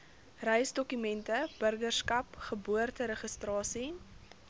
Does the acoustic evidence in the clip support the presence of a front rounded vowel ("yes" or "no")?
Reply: yes